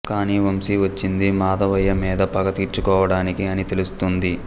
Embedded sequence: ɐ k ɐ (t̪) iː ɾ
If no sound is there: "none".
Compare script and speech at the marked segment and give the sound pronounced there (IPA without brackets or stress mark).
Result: t̪